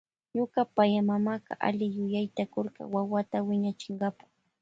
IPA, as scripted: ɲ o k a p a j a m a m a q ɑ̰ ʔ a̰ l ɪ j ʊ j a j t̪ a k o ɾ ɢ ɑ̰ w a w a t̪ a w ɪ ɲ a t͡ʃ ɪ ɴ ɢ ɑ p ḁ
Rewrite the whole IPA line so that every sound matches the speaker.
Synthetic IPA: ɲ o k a p a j a m a m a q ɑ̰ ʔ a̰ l ɪ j ʊ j a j t̪ a k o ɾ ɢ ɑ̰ w a w a t̪ a w ɪ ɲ a t͡ʃ ɪ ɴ ɢ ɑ p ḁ